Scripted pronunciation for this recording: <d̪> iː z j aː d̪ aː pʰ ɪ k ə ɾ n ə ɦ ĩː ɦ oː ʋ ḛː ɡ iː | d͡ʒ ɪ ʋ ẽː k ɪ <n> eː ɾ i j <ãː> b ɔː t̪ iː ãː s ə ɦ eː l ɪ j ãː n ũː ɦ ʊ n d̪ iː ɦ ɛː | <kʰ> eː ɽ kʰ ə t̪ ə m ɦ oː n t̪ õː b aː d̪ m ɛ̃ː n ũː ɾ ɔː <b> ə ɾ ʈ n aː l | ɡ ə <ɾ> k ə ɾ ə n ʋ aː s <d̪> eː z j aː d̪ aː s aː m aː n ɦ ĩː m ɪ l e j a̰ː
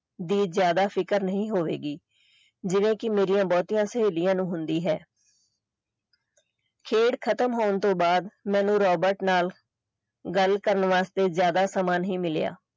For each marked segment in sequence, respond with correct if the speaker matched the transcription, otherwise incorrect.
correct, incorrect: m, correct, correct, correct, incorrect: l, incorrect: t̪

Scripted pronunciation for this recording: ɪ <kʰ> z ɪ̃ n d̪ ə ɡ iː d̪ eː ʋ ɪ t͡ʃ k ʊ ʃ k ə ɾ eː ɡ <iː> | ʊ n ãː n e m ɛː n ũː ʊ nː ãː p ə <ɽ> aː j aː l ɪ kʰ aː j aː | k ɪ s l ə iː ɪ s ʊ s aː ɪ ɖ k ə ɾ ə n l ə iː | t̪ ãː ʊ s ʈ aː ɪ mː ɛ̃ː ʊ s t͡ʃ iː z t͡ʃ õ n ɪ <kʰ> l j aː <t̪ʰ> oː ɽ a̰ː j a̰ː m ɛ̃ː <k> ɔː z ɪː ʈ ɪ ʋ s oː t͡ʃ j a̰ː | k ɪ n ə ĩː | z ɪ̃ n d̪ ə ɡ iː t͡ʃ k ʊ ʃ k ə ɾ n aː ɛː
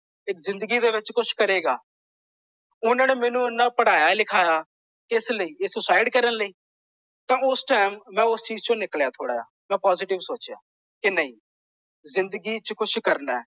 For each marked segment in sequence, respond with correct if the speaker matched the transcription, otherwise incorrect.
incorrect: k, incorrect: aː, correct, incorrect: k, correct, incorrect: p

